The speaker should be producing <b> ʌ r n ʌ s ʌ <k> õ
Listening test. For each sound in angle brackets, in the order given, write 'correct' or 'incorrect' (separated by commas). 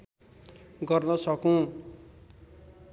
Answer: incorrect, correct